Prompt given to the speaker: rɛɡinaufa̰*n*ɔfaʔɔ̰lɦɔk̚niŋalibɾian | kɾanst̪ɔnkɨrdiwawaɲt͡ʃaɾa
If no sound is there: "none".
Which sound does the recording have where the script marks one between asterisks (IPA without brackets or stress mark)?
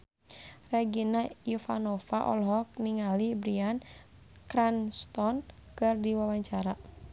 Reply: n